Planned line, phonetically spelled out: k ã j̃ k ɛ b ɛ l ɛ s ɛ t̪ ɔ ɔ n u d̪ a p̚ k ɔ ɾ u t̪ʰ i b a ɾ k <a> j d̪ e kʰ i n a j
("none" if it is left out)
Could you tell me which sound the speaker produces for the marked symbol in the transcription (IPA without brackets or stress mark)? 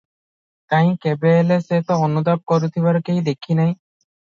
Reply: e